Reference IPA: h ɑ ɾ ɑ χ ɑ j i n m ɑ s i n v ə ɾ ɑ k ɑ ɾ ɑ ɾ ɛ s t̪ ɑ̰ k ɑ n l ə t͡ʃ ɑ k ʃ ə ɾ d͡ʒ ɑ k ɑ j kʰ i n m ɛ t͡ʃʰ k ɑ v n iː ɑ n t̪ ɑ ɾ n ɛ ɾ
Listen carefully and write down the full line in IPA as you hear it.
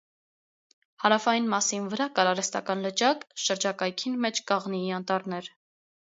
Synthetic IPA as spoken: h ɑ ɾ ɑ f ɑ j i n m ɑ s i n v ə ɾ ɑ k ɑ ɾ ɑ ɾ ɛ s t̪ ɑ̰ k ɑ n l ə t͡ʃ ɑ k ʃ ə ɾ d͡ʒ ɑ k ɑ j kʰ i n m ɛ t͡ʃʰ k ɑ ʁ n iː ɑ n t̪ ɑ ɾ n ɛ ɾ